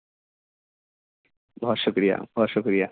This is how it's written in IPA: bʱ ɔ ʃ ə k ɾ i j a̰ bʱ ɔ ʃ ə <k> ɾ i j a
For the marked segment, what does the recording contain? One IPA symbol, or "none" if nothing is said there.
k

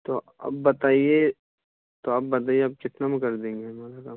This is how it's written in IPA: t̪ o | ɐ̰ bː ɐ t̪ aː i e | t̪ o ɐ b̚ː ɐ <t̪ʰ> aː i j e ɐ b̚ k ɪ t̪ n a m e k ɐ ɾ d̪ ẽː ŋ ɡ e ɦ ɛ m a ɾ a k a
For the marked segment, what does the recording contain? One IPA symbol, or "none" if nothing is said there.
t̪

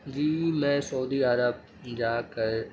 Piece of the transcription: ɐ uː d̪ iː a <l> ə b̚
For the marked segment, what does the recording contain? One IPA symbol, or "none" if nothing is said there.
ɾ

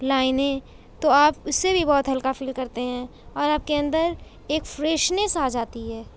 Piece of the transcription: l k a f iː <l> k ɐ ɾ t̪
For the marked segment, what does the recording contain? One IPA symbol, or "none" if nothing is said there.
l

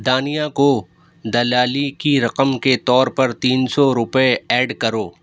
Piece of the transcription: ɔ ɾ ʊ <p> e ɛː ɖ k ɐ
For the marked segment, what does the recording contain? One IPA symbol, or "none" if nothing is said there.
p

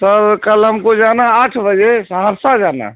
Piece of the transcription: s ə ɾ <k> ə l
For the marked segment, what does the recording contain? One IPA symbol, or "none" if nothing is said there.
k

